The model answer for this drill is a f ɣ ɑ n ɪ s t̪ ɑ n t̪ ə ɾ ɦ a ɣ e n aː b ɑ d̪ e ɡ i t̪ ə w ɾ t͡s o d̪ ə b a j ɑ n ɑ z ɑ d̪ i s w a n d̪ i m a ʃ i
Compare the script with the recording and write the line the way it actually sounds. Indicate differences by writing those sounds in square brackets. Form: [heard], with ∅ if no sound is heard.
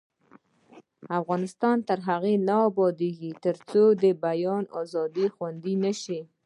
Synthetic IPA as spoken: a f ɣ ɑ n ɪ s t̪ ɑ n t̪ ə ɾ ɦ a ɣ e n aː b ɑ d̪ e ɡ i t̪ ə [∅] ɾ t͡s o d̪ ə b a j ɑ n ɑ z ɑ d̪ i [x] w a n d̪ i [n] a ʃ i